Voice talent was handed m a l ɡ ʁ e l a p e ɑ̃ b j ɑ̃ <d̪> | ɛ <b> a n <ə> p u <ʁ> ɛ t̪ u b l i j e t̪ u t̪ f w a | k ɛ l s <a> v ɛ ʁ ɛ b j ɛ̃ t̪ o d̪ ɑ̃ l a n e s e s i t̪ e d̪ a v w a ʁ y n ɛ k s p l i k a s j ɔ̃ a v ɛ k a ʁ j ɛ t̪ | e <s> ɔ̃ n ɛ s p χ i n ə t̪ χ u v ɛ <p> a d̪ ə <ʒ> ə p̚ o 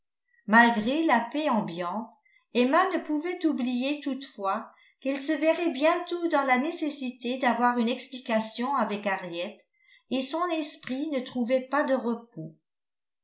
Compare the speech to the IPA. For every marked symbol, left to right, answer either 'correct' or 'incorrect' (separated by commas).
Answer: incorrect, incorrect, correct, incorrect, incorrect, correct, correct, incorrect